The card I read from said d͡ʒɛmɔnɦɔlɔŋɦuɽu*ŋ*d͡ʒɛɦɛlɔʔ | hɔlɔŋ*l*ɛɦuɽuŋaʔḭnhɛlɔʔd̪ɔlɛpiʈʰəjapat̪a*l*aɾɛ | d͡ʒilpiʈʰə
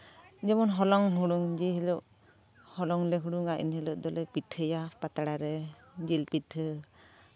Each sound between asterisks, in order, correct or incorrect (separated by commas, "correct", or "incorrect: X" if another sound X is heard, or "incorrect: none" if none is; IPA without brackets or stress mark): correct, correct, incorrect: ɽ